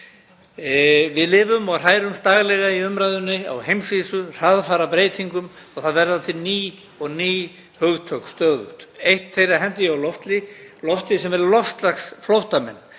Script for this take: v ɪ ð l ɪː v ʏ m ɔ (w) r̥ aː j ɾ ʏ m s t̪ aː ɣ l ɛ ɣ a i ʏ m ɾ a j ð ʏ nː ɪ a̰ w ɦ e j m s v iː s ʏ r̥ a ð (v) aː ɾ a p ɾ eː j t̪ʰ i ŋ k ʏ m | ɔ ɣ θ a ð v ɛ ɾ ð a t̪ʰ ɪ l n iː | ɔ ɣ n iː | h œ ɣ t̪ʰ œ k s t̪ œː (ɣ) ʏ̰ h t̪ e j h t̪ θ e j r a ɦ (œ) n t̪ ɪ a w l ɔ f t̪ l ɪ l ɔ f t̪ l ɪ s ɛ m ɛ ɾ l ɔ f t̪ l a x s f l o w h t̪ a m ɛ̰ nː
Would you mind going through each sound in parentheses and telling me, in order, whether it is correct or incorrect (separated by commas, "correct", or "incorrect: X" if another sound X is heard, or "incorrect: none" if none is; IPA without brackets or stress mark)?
incorrect: ɣ, incorrect: f, incorrect: ð, incorrect: ɛ